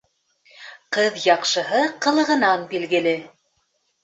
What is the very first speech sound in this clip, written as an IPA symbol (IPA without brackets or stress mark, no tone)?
q